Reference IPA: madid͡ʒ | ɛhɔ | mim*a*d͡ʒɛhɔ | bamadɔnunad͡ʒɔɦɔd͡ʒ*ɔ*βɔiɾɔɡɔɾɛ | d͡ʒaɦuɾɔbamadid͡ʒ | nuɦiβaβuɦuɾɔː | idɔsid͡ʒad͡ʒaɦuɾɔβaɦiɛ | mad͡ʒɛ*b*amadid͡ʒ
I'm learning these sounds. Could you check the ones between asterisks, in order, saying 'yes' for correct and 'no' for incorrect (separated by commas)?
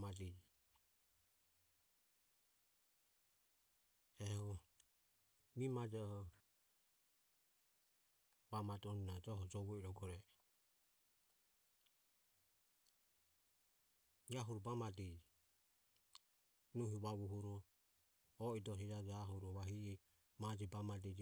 yes, yes, yes